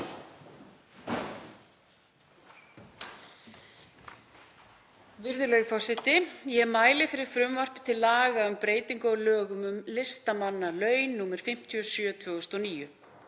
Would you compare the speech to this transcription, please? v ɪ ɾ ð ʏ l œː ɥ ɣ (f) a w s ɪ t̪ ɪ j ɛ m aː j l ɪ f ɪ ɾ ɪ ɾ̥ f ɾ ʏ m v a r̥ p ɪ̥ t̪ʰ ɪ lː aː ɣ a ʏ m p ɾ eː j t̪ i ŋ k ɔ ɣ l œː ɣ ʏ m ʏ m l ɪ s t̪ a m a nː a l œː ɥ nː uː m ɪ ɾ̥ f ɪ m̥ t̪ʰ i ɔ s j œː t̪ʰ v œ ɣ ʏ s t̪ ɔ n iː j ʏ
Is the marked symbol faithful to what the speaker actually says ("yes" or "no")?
yes